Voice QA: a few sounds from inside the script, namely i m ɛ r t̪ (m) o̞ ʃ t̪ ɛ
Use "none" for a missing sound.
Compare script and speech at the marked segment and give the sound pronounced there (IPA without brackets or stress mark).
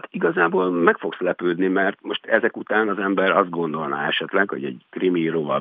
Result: m